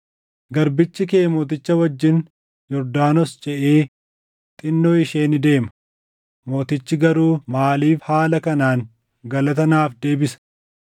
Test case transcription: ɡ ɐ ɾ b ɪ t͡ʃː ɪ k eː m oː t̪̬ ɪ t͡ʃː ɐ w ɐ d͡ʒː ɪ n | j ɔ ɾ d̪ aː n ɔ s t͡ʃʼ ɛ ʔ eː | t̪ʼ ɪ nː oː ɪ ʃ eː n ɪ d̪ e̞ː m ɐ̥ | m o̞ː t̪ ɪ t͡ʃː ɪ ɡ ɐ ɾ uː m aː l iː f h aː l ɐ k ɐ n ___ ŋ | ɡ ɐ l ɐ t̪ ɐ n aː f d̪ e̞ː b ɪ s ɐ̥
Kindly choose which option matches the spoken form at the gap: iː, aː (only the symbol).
aː